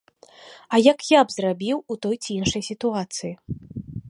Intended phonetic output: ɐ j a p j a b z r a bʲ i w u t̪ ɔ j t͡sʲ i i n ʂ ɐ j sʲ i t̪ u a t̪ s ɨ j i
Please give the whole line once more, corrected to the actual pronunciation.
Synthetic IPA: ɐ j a k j a b z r a bʲ i w u t̪ ɔ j t͡sʲ i i n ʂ ɐ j sʲ i t̪ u a t̪ s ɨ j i